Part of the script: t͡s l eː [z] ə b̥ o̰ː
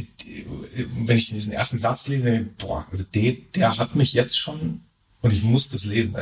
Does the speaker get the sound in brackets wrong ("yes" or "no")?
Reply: no